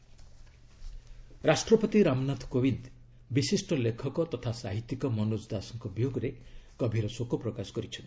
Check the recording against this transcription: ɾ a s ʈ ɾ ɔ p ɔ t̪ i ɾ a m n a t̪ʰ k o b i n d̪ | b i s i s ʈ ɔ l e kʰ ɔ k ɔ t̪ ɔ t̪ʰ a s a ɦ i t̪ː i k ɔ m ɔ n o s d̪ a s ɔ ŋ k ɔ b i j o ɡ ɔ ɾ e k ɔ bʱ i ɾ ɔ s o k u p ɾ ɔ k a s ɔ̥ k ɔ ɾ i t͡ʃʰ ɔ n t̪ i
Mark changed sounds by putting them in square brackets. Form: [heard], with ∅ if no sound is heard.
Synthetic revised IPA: ɾ a s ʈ ɾ ɔ p ɔ t̪ i ɾ a m n a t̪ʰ k o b i n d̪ | b i s i s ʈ ɔ l e kʰ ɔ k ɔ t̪ ɔ t̪ʰ a s a ɦ i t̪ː i k ɔ m ɔ n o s d̪ a s ɔ ŋ k ɔ b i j o ɡ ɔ ɾ e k ɔ bʱ i ɾ ɔ s o k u p ɾ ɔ k a s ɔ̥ k ɔ ɾ i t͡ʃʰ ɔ n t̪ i